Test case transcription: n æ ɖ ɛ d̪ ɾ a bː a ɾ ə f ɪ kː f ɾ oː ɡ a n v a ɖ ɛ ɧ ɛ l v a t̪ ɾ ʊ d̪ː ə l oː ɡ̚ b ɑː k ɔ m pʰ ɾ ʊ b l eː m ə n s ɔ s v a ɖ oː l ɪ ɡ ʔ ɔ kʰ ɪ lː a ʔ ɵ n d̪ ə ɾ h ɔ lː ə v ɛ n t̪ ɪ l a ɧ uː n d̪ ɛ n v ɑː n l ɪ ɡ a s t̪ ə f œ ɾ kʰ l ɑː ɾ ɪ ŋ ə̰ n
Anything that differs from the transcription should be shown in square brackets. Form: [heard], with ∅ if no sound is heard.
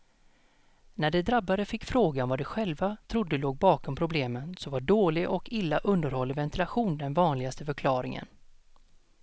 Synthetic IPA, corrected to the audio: n æ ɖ ɛ d̪ ɾ a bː a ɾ ə f ɪ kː f ɾ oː ɡ a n v a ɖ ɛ ɧ ɛ l v a [t̪ʰ] ɾ ʊ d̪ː ə l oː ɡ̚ b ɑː k ɔ m pʰ ɾ ʊ b l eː m ə n s ɔ [∅] v a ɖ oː l ɪ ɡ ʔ ɔ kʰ ɪ lː a ʔ ɵ n d̪ ə ɾ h ɔ lː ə v ɛ n t̪ ɪ l a ɧ uː n d̪ ɛ n v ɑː n l ɪ ɡ a s t̪ ə f œ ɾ kʰ l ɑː ɾ ɪ ŋ ə̰ n